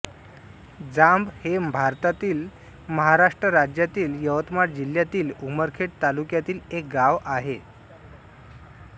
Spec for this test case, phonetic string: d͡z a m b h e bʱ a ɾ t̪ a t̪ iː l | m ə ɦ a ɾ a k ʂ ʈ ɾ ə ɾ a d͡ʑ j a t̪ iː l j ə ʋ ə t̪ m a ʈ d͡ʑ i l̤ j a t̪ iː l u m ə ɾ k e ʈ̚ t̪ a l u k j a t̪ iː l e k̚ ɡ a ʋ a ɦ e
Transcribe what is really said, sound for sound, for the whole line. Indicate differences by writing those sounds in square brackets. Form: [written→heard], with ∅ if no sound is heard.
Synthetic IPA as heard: d͡z a m b h e bʱ a ɾ t̪ a t̪ iː l | m ə ɦ a ɾ a [k→∅] ʂ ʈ ɾ ə ɾ a d͡ʑ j a t̪ iː l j ə ʋ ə t̪ m a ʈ d͡ʑ i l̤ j a t̪ iː l u m ə ɾ [k→kʰ] e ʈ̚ t̪ a l u k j a t̪ iː l e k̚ ɡ a ʋ a ɦ e

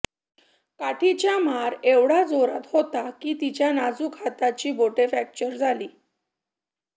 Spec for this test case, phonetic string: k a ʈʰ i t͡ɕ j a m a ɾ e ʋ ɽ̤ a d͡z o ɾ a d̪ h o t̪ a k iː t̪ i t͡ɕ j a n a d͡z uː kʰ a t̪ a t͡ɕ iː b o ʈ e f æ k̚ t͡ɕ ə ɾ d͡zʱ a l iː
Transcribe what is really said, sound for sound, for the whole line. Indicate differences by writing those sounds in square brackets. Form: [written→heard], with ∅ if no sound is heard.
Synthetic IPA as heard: k a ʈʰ i t͡ɕ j a m a ɾ e ʋ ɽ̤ a d͡z o ɾ a [d̪→t̪] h o t̪ a k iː t̪ i t͡ɕ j a n a d͡z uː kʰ a t̪ a t͡ɕ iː b o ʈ e f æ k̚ t͡ɕ ə ɾ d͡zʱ a l iː

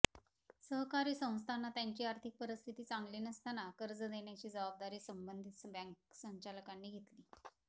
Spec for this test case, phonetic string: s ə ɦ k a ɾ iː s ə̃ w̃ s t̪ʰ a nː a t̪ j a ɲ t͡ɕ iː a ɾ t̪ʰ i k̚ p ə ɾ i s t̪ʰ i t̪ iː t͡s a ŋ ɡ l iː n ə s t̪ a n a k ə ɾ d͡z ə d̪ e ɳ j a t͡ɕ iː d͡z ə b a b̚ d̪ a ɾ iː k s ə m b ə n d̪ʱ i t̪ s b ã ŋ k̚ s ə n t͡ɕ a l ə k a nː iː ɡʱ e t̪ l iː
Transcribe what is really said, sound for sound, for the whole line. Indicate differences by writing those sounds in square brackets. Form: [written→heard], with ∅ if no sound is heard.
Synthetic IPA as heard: s ə ɦ k a ɾ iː s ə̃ w̃ s t̪ʰ a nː a t̪ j a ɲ t͡ɕ iː a ɾ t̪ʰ i k̚ p ə ɾ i s t̪ʰ i t̪ iː t͡s a ŋ ɡ l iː n ə s t̪ a n a k ə ɾ d͡z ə d̪ e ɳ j a t͡ɕ iː d͡z ə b a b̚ d̪ a ɾ iː [k→∅] s ə m b ə n d̪ʱ i t̪ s b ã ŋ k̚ s ə [n→ɲ] t͡ɕ a l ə k a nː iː ɡʱ e t̪ l iː

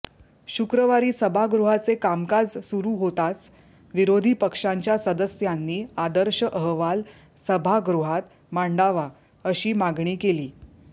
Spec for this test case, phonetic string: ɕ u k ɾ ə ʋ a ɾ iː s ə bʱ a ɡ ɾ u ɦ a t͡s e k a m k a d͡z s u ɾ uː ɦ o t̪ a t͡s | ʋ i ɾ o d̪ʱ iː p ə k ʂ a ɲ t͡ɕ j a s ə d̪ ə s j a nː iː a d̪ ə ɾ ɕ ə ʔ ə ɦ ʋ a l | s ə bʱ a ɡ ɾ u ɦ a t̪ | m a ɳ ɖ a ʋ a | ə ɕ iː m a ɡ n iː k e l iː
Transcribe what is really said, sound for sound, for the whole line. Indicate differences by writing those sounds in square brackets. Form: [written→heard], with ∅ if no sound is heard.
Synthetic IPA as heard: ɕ u k ɾ ə ʋ a ɾ iː s ə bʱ a ɡ ɾ u ɦ a t͡s e k a m k a d͡z s u ɾ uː ɦ o t̪ a t͡s | ʋ i ɾ o d̪ʱ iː p ə k ʂ a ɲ t͡ɕ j a s ə d̪ ə s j a nː iː a d̪ ə ɾ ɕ ə ʔ ə ɦ ʋ a l | s ə bʱ a ɡ ɾ u ɦ a t̪ | m a ɳ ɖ a ʋ a | ə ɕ iː m a ɡ [n→ɳ] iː k e l iː

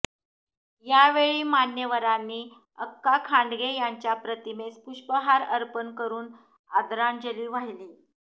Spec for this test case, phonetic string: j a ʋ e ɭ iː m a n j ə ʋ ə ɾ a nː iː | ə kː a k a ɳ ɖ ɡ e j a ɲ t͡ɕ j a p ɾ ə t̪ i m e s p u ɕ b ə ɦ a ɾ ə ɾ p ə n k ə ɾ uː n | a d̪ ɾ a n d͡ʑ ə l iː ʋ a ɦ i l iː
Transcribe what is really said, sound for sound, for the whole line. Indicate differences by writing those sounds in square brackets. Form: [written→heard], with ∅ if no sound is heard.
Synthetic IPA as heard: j a ʋ e ɭ iː m a n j ə ʋ ə ɾ a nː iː | ə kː a [k→kʰ] a ɳ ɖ ɡ e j a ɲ t͡ɕ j a p ɾ ə t̪ i m e s p u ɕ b ə ɦ a ɾ ə ɾ p ə n k ə ɾ uː n | a d̪ ɾ a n d͡ʑ ə l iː ʋ a ɦ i l iː

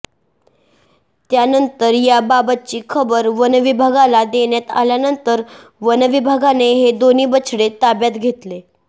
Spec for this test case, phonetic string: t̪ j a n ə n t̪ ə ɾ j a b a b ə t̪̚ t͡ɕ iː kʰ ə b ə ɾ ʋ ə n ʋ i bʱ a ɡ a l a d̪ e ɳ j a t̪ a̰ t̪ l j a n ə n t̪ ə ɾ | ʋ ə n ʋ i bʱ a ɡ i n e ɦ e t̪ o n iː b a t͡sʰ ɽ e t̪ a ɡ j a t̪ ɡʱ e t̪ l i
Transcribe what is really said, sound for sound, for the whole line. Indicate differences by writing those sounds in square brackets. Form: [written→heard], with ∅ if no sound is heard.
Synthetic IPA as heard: t̪ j a n ə n t̪ ə ɾ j a b a b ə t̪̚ t͡ɕ iː kʰ ə b ə ɾ ʋ ə n ʋ i bʱ a ɡ a l a d̪ e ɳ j a t̪ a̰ [t̪→∅] l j a n ə n t̪ ə ɾ | ʋ ə n ʋ i bʱ a ɡ [i→a] n e ɦ e [t̪→d̪] o n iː b [a→ə] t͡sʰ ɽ e t̪ a [ɡ→b] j a t̪ ɡʱ e t̪ l [i→e]

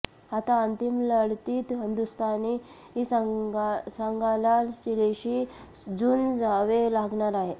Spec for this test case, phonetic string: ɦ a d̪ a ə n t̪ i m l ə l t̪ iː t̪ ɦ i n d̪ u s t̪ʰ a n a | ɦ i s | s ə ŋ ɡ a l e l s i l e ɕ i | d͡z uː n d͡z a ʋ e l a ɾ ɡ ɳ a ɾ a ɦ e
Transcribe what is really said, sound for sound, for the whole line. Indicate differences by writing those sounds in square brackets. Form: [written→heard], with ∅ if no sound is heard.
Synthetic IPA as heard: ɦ a [d̪→t̪] a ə n t̪ i m l ə [l→ɽ] t̪ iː t̪ ɦ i n d̪ u s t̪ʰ a n [a→i] | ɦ i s | s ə ŋ ɡ a l [e→a] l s i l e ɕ i | d͡z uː n d͡z a ʋ e l a [ɾ→∅] ɡ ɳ a ɾ a ɦ e

